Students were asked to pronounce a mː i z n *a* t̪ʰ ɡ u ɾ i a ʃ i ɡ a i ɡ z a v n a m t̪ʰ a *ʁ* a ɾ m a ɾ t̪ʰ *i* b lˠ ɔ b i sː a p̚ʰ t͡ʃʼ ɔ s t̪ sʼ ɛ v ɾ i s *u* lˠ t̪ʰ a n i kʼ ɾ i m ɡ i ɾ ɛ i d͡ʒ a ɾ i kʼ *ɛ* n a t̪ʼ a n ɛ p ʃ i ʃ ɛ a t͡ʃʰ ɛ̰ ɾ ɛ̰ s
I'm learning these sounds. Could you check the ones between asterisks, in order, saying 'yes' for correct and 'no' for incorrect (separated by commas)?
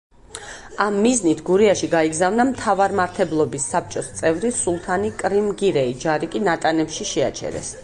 no, no, no, yes, no